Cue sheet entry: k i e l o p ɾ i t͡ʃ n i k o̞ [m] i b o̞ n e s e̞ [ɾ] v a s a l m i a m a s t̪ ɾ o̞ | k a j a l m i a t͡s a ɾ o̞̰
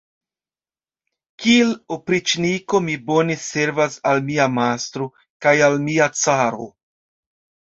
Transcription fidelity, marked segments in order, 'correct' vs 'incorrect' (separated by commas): correct, correct